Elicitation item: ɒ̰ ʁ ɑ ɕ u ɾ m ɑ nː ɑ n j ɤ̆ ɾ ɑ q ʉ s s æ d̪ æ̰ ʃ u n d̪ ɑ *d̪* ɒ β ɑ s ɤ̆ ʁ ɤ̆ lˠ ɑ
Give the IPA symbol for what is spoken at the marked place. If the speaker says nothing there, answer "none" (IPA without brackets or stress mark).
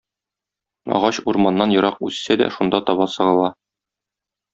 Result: t̪